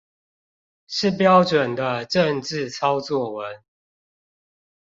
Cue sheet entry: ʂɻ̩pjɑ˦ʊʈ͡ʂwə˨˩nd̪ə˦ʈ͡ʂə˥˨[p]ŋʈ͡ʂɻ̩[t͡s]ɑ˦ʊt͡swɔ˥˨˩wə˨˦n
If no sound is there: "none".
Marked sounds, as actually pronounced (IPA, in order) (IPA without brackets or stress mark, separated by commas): none, t͡sʰ